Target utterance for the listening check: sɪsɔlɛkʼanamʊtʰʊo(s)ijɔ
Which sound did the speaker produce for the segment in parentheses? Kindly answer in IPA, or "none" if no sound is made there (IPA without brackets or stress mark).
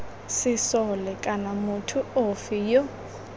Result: f